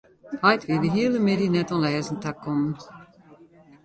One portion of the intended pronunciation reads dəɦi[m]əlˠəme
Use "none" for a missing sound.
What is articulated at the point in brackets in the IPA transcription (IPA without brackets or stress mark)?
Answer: none